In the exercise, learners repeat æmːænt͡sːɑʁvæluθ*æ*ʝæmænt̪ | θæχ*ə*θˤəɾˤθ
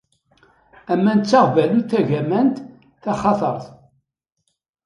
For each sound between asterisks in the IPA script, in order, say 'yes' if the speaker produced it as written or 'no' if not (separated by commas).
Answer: yes, no